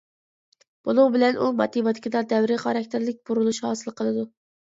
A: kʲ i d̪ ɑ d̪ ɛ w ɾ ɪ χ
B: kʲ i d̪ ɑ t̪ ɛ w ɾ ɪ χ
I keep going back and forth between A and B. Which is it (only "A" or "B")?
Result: A